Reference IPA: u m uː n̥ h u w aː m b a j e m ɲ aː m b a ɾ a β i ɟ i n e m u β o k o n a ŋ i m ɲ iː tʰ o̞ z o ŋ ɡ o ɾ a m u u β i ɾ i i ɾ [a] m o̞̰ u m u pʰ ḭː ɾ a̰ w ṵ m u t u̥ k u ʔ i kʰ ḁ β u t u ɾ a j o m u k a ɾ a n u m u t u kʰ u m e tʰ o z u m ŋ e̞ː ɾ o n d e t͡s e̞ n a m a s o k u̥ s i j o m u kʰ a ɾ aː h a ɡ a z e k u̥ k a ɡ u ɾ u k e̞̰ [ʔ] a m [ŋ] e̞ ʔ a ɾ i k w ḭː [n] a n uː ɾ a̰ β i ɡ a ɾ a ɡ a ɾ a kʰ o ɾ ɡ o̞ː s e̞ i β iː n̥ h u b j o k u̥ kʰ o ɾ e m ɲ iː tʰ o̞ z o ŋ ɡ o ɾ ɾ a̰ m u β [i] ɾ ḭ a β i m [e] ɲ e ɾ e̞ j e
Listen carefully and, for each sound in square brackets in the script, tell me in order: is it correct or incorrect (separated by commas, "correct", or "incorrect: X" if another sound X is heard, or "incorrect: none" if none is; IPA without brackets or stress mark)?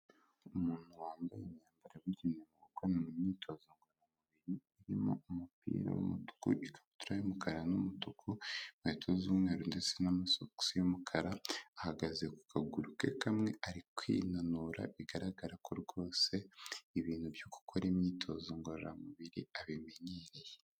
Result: incorrect: i, incorrect: k, correct, correct, correct, correct